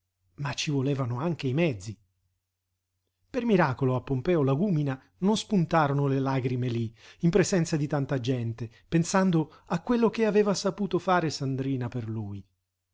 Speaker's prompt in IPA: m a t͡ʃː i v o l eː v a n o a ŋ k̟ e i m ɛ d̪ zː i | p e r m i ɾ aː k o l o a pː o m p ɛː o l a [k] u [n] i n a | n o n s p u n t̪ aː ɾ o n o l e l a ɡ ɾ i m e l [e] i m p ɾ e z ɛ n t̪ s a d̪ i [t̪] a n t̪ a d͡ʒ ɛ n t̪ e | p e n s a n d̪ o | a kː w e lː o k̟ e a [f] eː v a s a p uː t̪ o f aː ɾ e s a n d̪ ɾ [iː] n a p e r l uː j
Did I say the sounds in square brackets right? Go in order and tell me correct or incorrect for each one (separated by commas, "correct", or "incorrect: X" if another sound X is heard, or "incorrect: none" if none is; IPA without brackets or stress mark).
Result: incorrect: ɡ, incorrect: m, incorrect: i, correct, incorrect: v, correct